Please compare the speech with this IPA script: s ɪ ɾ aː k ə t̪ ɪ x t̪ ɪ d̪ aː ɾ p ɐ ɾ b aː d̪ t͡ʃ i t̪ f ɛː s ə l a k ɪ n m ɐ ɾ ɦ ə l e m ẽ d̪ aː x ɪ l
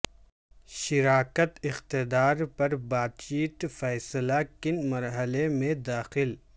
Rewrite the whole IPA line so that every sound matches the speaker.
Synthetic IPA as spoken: ʃ ɪ ɾ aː k ə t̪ ɪ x t̪ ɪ d̪ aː ɾ p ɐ ɾ b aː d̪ t͡ʃ iː t̪ f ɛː s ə l a k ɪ n m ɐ ɾ ɦ ə l e m ẽ d̪ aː x ɪ l

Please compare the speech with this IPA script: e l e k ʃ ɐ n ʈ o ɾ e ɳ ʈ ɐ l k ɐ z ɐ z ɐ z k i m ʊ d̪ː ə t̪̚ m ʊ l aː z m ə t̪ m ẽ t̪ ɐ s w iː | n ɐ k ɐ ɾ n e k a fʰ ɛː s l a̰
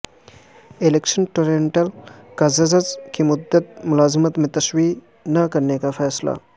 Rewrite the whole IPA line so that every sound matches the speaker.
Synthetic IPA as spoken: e l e k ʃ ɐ n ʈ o ɾ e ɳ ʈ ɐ l k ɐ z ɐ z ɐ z k i m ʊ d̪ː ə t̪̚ m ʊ l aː z m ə t̪ m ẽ t̪ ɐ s w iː | n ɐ k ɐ ɾ n e k a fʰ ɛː s l a̰

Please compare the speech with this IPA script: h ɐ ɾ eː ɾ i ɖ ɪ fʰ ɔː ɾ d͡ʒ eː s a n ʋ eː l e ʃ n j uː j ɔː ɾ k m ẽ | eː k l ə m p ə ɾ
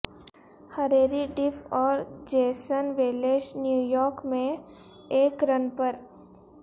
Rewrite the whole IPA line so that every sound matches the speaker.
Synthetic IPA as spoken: h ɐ ɾ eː ɾ i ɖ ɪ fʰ ɔː ɾ d͡ʒ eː s ə n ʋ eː l e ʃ n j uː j ɔː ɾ k m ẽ | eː k ɾ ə n p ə ɾ

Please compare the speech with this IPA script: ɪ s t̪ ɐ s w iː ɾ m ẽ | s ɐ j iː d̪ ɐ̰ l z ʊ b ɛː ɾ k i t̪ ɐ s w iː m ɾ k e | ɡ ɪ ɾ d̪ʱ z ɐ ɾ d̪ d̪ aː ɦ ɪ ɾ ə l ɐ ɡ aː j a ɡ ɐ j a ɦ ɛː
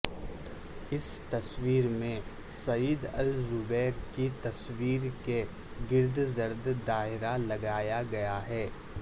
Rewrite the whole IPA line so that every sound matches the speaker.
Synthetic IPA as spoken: ɪ s t̪ ɐ s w iː ɾ m ẽ | s ɐ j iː d̪ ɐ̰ l z ʊ b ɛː ɾ k i t̪ ɐ s w iː ɾ k e | ɡ ɪ ɾ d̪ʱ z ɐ ɾ d̪ d̪ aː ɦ ɪ ɾ a l ɐ ɡ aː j a ɡ ɐ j a ɦ ɛː

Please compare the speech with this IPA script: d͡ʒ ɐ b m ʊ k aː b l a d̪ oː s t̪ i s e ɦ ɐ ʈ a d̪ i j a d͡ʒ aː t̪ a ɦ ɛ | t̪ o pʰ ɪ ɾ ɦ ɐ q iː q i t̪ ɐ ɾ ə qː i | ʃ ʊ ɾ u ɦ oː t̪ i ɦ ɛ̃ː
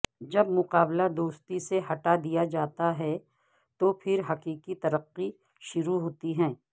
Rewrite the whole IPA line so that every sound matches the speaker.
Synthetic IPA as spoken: d͡ʒ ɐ b m ʊ q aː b l a d̪ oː s t̪ i s e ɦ ɐ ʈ a d̪ i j a d͡ʒ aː t̪ a ɦ ɛ | t̪ o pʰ ɪ ɾ ɦ ɐ q iː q i t̪ ɐ ɾ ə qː i | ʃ ʊ ɾ u ɦ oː t̪ i ɦ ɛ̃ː

